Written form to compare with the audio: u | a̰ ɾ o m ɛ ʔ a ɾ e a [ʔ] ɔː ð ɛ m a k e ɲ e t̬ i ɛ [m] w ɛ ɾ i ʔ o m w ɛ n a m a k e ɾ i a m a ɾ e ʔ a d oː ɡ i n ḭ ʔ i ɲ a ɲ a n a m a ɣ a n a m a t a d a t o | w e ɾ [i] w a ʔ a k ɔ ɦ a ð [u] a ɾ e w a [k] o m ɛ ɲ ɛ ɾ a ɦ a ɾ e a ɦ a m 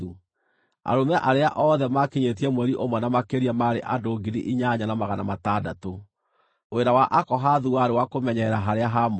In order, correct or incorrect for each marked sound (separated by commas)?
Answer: correct, correct, incorrect, correct, correct